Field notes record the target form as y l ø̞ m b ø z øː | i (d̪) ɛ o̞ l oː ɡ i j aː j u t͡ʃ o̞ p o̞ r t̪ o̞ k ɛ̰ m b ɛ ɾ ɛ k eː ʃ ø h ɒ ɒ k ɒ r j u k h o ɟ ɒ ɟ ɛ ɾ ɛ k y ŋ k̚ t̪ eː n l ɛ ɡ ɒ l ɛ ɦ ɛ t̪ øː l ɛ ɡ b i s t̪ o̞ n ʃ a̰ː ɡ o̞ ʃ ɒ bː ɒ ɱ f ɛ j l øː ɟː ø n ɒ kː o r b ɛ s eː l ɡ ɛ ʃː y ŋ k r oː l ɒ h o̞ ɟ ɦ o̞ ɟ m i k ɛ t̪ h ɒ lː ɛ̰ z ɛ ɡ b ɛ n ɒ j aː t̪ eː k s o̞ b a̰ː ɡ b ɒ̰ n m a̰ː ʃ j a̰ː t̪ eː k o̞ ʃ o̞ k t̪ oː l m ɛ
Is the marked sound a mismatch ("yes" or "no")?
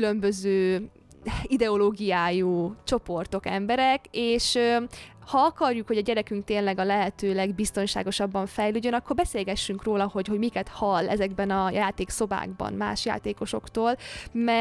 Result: no